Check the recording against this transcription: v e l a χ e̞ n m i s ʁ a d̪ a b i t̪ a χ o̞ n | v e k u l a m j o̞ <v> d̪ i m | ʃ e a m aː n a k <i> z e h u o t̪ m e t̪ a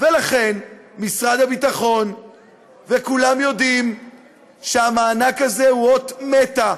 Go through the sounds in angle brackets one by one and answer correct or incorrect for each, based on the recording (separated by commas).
incorrect, incorrect